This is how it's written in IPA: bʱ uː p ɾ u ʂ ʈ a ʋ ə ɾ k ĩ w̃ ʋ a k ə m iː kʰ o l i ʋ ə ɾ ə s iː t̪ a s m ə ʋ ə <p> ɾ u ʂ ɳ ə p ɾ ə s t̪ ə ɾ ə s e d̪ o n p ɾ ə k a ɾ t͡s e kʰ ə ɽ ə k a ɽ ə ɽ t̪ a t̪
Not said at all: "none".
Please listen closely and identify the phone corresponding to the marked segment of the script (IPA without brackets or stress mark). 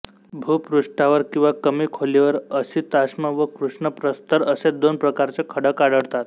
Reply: k